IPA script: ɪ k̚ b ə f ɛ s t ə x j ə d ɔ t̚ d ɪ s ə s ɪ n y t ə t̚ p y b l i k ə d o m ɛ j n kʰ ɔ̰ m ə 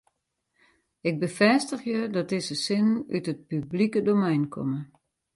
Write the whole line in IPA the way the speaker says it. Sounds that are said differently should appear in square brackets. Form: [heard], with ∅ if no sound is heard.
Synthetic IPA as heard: ɪ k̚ b ə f ɛ s t ə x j ə d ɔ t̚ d ɪ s ə s ɪ n y t ə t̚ p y b l i k ə d o m ɛ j n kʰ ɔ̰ m ə